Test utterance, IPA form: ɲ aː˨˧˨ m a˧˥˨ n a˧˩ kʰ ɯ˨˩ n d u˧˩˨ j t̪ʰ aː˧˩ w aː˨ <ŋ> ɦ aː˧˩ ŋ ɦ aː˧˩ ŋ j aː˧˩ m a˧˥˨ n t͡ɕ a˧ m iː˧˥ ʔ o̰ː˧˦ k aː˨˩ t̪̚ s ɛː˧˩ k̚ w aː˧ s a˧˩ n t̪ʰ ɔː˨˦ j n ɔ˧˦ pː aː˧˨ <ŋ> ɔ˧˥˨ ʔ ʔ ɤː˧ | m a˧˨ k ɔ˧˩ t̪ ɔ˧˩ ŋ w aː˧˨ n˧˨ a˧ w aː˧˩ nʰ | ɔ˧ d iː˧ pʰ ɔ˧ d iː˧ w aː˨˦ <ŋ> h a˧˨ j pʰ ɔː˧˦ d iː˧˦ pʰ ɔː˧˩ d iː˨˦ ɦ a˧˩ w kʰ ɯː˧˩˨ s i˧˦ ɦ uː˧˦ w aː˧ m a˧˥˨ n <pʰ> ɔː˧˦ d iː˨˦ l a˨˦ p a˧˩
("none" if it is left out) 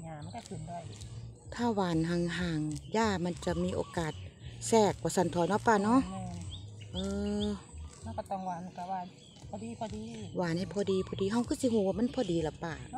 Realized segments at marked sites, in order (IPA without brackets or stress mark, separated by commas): n, n, n, pʰ